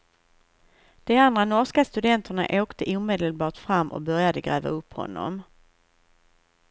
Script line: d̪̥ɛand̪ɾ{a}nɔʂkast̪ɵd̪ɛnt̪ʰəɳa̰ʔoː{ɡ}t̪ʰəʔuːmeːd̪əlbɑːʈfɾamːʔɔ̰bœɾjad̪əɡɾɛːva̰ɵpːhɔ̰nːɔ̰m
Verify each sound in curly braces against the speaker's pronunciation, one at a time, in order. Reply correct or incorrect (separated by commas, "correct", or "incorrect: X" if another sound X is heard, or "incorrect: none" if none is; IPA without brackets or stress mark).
correct, incorrect: k